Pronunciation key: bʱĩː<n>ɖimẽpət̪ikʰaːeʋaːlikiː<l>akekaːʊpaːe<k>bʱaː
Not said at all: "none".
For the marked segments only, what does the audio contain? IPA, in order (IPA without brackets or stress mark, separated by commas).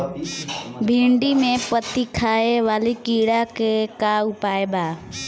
ɳ, ɽ, none